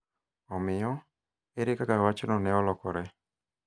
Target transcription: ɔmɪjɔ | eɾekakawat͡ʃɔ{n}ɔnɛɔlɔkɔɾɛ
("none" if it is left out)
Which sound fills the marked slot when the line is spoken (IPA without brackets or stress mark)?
n